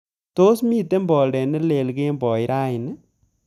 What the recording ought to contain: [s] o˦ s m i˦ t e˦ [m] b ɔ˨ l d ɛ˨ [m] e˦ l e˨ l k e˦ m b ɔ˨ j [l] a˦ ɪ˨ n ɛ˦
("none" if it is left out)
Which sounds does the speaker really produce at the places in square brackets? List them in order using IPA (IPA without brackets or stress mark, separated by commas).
t, m, n, ɾ